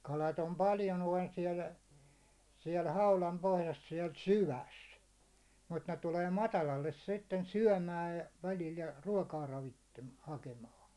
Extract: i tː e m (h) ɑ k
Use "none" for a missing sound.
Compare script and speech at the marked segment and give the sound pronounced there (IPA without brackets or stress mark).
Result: h